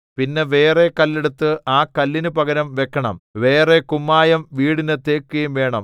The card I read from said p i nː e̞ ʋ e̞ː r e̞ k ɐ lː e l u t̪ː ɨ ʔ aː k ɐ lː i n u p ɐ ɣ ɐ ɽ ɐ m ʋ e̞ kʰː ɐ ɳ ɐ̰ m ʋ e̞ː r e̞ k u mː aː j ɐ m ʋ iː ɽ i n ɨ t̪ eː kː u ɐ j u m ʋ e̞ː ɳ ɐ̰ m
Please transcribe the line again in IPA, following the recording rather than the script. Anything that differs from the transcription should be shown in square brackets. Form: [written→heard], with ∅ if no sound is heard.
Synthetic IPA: p i nː e̞ ʋ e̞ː r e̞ k ɐ lː e [l→ɽ] u t̪ː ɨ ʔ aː k ɐ lː i n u p ɐ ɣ ɐ [ɽ→ɾ] ɐ m ʋ e̞ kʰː ɐ ɳ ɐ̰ m ʋ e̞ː r e̞ k u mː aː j ɐ m ʋ iː ɽ i n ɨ t̪ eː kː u ɐ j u m ʋ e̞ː ɳ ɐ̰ m